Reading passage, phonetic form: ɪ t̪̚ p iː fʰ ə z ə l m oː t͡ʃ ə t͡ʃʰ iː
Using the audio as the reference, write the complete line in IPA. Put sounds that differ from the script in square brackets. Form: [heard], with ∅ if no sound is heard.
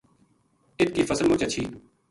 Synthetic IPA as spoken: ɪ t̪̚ [k] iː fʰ ə [s] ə l m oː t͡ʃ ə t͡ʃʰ iː